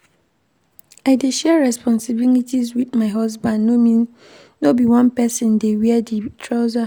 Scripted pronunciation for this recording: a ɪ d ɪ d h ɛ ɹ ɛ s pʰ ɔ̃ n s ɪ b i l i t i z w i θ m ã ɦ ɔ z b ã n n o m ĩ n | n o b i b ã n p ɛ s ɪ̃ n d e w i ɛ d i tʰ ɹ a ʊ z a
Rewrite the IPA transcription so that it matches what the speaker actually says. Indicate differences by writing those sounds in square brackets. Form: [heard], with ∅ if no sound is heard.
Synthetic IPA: a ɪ d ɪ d [ʃ] ɛ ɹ ɛ s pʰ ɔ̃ n s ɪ b i l i t i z w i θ m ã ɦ ɔ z b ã n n o m ĩ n | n o b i [w] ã n p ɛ s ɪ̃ n d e w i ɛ d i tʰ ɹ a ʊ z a